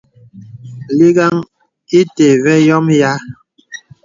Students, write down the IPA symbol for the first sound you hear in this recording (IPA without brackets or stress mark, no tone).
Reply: l